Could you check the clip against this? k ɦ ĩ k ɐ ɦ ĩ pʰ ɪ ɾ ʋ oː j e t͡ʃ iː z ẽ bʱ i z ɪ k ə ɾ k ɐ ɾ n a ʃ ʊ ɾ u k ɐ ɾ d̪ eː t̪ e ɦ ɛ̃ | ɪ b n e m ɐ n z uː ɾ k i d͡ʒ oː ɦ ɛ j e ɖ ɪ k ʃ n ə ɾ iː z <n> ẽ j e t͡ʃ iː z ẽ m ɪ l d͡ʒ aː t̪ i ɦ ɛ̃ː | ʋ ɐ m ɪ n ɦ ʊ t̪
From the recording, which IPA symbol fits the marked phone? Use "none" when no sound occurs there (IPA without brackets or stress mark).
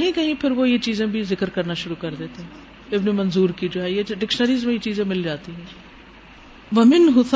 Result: m